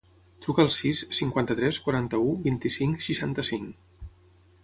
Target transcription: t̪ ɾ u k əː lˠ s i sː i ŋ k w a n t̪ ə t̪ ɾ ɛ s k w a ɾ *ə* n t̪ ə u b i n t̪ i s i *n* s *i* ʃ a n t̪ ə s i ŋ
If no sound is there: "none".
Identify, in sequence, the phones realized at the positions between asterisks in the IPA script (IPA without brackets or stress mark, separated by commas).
a, ŋ, i